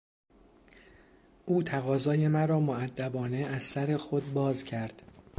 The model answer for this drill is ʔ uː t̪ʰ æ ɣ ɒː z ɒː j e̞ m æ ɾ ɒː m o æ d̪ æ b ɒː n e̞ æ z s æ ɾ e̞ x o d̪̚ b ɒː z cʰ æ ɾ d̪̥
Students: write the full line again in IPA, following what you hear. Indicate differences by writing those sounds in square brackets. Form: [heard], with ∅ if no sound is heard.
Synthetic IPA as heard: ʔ uː t̪ʰ æ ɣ ɒː z ɒː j e̞ m æ ɾ ɒː m o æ [d̪ː] æ b ɒː n e̞ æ z s æ ɾ e̞ x o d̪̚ b ɒː z cʰ æ ɾ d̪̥